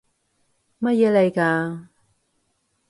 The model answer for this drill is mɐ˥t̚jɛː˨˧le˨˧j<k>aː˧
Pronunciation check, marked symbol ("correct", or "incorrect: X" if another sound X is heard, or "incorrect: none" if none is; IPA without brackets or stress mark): correct